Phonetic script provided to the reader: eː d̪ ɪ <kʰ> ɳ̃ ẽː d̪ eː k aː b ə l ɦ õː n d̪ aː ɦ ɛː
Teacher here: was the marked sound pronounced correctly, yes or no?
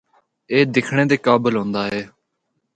yes